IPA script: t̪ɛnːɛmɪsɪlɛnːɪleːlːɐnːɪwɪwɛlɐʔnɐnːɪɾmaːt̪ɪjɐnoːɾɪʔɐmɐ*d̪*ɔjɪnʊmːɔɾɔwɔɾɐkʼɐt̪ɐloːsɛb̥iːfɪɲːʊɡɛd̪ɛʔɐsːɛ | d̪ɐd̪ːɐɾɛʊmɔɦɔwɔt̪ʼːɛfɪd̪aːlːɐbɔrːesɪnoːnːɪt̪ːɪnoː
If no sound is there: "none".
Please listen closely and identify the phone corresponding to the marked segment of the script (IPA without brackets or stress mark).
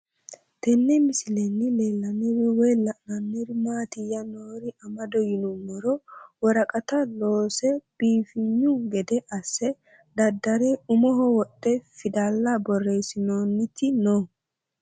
d̪